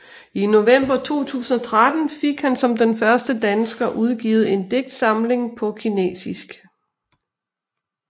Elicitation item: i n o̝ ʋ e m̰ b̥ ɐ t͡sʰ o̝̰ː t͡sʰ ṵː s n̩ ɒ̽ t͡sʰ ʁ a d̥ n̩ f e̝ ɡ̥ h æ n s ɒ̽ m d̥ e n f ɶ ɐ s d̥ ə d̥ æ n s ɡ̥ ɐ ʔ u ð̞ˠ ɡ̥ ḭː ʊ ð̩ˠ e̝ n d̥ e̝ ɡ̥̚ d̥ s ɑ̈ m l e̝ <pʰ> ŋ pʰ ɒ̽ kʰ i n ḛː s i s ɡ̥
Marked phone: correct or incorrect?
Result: incorrect